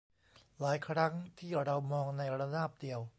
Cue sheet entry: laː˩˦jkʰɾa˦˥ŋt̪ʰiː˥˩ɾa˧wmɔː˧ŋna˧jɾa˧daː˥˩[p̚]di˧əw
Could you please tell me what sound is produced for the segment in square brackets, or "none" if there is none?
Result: p̚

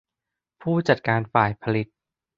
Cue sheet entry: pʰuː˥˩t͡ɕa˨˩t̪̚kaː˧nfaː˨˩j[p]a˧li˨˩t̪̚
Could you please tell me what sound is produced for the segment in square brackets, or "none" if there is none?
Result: pʰ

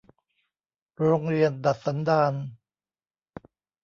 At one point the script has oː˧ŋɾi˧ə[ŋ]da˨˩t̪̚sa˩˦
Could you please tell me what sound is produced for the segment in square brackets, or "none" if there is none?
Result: n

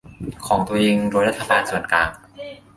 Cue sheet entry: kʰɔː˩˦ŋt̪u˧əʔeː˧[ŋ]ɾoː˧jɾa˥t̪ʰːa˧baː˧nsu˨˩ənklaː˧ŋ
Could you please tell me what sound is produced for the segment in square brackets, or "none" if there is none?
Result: ŋ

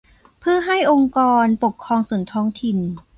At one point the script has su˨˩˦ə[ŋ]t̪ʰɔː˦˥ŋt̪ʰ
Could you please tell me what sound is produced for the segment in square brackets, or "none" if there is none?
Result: n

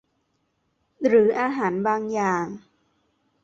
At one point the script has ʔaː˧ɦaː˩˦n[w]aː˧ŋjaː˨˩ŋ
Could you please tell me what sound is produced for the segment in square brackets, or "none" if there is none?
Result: b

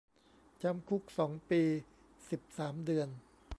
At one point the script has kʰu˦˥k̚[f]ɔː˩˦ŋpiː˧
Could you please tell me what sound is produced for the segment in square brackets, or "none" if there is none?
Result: s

